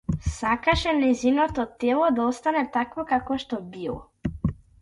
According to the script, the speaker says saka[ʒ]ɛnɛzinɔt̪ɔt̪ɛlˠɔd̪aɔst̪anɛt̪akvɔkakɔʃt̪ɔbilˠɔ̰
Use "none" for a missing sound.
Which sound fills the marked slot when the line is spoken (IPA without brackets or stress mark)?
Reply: ʃ